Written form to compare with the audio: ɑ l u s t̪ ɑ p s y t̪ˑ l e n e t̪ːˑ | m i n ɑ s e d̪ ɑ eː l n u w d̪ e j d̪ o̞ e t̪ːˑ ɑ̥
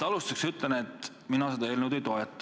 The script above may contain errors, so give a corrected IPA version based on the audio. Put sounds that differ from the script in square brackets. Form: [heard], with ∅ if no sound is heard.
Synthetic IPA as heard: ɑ l u s t̪ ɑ [k] s y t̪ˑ l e n e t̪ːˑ | m i n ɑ s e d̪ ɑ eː l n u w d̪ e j [t̪] o̞ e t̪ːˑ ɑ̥